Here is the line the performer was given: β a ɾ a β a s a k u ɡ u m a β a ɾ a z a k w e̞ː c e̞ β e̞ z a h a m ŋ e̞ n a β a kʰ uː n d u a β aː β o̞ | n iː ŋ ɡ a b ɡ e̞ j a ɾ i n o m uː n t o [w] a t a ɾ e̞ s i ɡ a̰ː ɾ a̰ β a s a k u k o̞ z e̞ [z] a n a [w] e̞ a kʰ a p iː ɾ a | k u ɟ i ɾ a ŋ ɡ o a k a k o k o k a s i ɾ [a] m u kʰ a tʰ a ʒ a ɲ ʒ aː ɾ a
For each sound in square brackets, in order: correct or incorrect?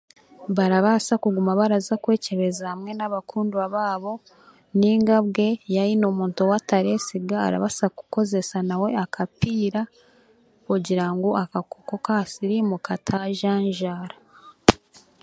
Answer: correct, incorrect, correct, incorrect

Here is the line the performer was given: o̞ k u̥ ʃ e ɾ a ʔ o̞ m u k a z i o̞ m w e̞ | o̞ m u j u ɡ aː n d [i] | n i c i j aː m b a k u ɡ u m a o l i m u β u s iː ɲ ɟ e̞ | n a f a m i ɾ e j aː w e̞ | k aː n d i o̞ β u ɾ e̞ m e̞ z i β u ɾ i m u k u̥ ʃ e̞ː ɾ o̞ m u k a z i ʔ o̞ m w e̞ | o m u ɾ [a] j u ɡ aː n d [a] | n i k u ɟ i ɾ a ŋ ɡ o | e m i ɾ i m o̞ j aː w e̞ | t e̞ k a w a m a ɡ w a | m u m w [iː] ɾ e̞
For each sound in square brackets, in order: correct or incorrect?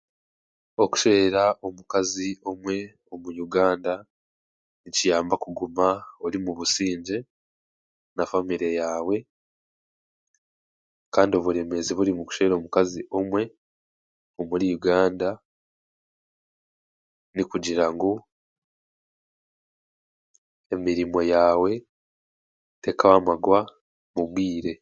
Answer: incorrect, incorrect, correct, correct

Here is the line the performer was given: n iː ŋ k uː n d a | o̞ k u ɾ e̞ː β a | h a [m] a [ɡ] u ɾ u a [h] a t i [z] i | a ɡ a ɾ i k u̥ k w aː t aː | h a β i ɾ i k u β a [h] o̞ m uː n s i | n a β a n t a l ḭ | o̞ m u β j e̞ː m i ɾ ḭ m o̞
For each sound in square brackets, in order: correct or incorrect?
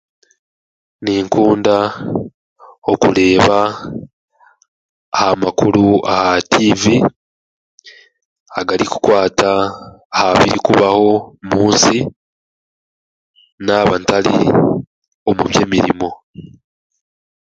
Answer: correct, incorrect, correct, incorrect, correct

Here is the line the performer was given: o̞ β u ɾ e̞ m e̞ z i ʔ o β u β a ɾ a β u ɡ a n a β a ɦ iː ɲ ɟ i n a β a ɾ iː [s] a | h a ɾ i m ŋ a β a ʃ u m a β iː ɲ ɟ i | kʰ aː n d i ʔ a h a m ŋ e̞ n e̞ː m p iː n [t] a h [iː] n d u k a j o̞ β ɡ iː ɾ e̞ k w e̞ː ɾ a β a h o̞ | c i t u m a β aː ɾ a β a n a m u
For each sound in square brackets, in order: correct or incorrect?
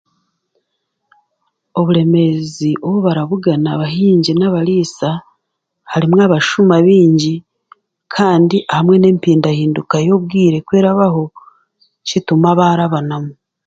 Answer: correct, incorrect, correct

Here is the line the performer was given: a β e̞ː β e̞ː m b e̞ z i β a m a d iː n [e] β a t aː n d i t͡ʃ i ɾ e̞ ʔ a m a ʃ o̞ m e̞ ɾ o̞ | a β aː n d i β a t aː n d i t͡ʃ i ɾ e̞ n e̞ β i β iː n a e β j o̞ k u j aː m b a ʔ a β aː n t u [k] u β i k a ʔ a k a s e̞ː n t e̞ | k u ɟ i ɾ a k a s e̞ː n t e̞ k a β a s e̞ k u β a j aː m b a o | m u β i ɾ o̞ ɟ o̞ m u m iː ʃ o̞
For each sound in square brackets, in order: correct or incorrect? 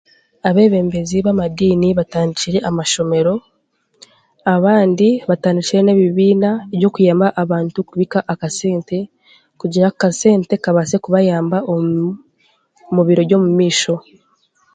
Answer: incorrect, correct

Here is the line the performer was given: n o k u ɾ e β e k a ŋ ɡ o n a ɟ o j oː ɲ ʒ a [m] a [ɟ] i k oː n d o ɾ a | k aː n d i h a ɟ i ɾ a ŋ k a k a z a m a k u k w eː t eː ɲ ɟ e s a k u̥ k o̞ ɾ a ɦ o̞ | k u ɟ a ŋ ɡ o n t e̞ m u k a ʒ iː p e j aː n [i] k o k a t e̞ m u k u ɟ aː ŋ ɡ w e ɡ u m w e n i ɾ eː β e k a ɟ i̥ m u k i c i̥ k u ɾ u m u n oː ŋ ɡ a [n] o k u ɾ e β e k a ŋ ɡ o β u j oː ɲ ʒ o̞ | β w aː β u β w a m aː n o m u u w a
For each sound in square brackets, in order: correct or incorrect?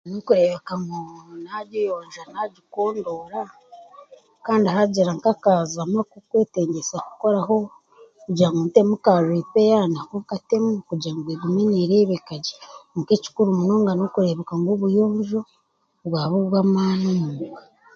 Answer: incorrect, correct, incorrect, correct

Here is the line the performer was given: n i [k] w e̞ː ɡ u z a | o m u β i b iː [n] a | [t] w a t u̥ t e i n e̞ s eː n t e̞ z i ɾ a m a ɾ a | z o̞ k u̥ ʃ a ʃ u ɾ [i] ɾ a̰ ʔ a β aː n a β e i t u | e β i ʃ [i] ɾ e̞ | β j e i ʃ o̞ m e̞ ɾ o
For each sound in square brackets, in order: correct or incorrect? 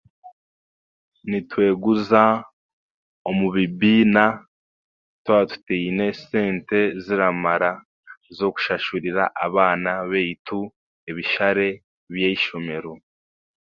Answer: incorrect, correct, correct, correct, incorrect

